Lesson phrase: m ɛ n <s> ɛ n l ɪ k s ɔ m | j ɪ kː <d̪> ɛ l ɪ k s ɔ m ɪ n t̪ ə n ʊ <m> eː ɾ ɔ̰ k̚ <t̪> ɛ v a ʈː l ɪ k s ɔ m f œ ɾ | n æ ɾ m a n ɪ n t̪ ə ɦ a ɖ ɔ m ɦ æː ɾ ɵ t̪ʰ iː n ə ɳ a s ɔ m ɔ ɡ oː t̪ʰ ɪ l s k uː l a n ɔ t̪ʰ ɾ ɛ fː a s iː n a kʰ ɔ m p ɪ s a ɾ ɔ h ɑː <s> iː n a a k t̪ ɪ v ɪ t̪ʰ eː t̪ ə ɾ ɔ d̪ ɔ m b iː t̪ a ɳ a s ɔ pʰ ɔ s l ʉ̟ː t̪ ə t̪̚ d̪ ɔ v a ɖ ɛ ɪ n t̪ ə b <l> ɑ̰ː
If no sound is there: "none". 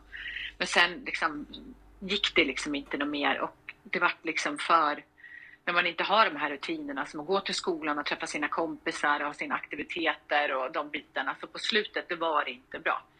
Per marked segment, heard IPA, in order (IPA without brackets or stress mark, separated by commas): s, d̪, m, d̪, s, ɾ